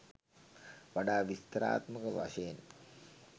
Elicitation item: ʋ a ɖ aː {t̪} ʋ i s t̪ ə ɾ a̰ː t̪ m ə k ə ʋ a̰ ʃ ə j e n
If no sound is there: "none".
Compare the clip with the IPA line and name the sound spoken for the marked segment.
none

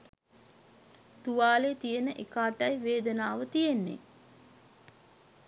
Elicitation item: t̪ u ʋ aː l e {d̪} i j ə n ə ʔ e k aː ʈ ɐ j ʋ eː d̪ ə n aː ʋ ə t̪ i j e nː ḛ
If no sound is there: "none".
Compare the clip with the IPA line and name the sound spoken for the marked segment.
t̪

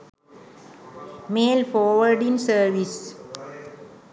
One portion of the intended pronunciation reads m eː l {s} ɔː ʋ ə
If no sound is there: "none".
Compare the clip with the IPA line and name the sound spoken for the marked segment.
f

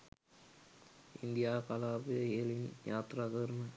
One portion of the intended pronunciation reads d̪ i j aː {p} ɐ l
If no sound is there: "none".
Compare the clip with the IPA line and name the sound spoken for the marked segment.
k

